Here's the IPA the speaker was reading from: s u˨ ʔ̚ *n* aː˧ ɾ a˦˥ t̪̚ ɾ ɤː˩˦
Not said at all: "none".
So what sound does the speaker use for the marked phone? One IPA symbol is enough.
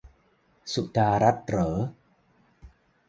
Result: d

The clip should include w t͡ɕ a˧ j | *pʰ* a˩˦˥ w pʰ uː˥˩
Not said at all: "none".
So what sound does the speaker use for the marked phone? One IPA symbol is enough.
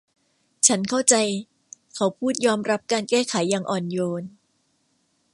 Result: kʰ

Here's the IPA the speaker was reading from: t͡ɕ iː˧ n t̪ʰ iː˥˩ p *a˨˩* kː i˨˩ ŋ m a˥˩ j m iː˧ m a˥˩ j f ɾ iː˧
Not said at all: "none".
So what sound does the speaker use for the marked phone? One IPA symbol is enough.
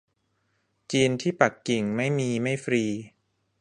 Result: a˨˩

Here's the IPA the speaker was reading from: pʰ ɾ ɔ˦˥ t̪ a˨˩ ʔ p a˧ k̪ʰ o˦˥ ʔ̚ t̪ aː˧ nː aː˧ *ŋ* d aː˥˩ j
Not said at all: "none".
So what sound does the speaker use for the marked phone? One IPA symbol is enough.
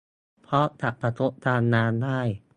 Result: n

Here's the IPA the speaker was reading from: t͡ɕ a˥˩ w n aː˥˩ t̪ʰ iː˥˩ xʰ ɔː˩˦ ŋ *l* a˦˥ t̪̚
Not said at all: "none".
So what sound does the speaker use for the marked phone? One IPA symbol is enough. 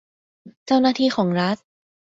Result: ɾ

